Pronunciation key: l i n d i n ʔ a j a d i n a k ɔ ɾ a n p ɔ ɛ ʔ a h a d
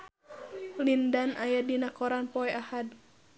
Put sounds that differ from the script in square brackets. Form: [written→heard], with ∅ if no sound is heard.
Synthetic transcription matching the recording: l i n d [i→a] n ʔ a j a d i n a k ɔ ɾ a n p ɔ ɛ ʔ a h a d